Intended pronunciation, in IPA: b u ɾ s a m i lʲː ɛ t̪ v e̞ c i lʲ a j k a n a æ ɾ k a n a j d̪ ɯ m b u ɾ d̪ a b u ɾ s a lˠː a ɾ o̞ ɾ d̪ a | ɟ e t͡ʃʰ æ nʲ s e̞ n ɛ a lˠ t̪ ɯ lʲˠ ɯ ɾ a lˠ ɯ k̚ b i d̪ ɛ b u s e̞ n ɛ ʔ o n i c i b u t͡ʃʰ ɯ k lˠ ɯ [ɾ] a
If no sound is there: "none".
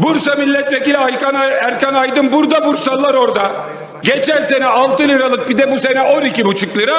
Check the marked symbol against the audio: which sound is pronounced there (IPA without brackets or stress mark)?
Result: ɾ